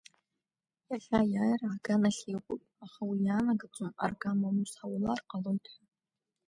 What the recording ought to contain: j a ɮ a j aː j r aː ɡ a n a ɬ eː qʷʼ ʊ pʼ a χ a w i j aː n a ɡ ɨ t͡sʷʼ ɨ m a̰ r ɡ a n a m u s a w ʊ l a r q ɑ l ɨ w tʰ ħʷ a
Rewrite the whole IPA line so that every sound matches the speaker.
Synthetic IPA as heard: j a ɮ a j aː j r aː ɡ a n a ɬ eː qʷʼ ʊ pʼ a χ a w i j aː n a ɡ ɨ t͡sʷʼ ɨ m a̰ r ɡ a m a m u s a w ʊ l a r q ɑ l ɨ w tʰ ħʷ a